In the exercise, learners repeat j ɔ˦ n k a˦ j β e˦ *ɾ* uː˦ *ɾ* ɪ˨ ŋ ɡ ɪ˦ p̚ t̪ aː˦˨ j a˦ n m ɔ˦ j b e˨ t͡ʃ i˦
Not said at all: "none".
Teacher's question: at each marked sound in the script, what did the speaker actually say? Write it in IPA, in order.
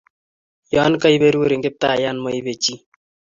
ɾ, ɾ

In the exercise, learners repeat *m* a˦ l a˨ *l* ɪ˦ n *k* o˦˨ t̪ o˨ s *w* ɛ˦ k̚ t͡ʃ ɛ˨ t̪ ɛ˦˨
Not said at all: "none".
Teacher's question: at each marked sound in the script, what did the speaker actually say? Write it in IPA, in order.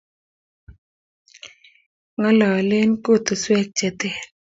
ŋ, l, k, w

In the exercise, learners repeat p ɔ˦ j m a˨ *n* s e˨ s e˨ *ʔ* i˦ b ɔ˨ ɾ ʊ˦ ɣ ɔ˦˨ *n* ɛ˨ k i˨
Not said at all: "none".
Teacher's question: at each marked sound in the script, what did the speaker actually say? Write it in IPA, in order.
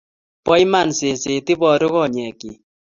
n, t, ɲ

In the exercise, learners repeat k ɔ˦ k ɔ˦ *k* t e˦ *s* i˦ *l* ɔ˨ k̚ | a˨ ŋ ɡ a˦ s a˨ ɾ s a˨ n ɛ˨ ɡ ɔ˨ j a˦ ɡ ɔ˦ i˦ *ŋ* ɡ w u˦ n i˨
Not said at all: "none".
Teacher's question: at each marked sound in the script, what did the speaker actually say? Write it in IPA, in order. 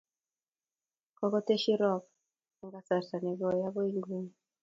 none, ʃ, ɾ, ŋ

